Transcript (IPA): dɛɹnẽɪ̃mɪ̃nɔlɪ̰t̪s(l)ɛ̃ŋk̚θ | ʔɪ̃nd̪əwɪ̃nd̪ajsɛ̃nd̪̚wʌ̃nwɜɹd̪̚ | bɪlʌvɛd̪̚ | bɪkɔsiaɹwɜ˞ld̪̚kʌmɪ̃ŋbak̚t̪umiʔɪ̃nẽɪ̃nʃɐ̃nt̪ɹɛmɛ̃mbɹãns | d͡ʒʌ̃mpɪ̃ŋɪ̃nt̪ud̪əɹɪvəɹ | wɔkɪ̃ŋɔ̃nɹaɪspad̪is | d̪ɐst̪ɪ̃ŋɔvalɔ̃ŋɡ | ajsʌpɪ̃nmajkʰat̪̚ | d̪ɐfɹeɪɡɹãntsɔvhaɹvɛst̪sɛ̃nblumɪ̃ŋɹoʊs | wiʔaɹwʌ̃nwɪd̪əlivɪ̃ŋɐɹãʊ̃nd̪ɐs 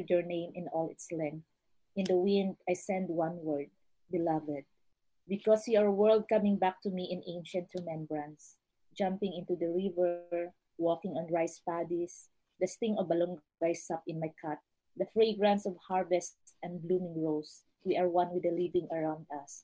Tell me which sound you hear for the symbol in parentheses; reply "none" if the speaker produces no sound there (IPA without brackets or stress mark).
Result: l